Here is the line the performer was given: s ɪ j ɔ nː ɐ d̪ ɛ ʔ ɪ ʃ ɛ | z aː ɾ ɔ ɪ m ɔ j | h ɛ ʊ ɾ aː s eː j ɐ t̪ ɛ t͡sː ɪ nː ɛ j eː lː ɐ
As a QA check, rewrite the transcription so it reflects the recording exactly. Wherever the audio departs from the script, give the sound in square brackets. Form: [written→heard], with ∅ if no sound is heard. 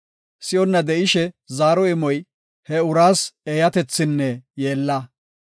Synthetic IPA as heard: s ɪ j ɔ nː ɐ d̪ ɛ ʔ ɪ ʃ ɛ | z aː ɾ ɔ ɪ m ɔ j | h ɛ ʊ ɾ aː s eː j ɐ t̪ ɛ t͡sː ɪ nː ɛ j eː lː ɐ